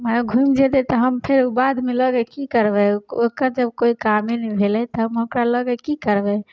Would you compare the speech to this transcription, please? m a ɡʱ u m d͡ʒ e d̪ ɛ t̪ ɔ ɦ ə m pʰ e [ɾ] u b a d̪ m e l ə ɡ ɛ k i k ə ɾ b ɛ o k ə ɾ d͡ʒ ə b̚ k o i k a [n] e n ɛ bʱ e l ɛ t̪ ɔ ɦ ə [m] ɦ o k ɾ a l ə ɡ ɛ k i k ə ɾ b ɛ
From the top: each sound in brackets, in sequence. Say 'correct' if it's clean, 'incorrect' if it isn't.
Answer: correct, incorrect, correct

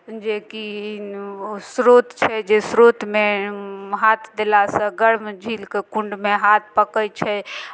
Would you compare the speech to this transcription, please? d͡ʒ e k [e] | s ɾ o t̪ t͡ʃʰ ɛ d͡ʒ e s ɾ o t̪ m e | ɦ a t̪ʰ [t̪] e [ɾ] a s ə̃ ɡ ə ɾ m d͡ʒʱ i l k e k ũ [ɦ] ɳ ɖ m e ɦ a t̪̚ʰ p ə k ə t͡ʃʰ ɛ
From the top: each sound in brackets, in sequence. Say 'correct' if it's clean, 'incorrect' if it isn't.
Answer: incorrect, incorrect, incorrect, incorrect

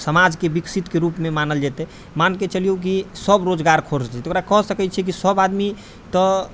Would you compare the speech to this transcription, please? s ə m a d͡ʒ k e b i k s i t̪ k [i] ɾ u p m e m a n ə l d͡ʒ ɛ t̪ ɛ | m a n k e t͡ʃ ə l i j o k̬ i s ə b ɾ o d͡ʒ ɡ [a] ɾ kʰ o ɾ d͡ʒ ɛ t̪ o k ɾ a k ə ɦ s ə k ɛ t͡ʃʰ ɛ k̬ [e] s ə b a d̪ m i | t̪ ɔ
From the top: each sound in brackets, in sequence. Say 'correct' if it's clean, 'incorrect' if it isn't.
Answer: incorrect, correct, incorrect

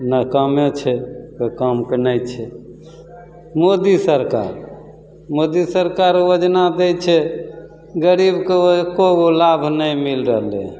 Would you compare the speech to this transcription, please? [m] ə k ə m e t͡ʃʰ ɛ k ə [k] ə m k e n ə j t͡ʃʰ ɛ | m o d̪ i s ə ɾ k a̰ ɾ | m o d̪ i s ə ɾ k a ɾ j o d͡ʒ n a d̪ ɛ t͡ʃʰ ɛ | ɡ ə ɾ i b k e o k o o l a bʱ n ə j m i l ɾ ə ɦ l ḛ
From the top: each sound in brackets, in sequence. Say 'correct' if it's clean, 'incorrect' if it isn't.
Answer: incorrect, correct

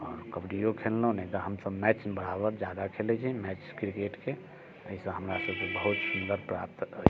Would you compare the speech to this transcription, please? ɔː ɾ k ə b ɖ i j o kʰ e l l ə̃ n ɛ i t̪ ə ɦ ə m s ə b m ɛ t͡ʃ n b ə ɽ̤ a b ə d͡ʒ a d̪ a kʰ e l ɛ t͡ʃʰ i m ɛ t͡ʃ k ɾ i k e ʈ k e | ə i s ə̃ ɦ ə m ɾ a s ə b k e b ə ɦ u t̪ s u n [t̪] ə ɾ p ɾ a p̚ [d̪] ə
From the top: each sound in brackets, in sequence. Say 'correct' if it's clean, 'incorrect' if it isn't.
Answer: incorrect, incorrect

